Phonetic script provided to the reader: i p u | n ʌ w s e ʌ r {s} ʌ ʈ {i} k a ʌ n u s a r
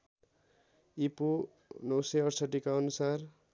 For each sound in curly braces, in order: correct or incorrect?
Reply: correct, correct

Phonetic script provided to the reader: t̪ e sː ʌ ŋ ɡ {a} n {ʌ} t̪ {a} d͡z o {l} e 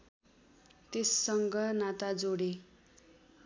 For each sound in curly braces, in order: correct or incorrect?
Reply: incorrect: ʌ, incorrect: a, correct, incorrect: ɽ

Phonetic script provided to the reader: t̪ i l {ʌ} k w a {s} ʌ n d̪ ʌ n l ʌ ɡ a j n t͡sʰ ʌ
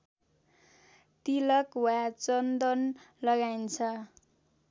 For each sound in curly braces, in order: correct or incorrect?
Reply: correct, incorrect: t͡s

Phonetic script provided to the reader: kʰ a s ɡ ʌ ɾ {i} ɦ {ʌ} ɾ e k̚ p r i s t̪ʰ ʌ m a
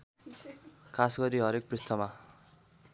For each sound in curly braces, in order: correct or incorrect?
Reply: correct, correct

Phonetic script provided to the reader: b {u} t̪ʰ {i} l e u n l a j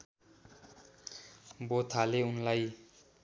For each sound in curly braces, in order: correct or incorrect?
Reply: incorrect: o, incorrect: a

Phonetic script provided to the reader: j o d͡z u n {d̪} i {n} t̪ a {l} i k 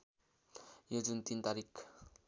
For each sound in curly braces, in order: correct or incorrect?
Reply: incorrect: t̪, correct, incorrect: ɾ

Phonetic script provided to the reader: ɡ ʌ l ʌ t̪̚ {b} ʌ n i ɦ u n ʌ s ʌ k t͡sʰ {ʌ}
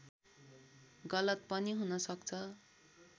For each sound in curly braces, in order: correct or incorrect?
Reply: incorrect: p, correct

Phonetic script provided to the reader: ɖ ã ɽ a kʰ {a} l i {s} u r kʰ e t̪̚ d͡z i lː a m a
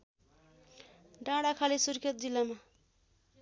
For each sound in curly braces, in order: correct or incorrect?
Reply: correct, correct

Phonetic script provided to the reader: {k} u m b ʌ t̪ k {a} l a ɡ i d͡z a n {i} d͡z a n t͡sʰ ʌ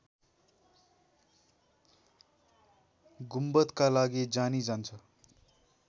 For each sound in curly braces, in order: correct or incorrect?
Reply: incorrect: ɡ, correct, correct

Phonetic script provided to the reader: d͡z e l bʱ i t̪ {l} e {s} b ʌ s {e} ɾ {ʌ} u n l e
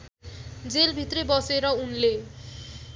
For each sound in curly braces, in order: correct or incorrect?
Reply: incorrect: r, incorrect: none, correct, correct

